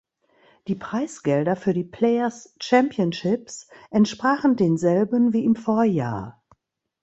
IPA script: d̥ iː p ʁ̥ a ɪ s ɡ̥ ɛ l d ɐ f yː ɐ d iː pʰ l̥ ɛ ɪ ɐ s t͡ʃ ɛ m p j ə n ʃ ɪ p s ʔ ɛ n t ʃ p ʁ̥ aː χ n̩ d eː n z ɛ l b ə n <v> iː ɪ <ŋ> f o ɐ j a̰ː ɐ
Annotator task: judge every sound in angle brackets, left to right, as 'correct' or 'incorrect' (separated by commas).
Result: correct, incorrect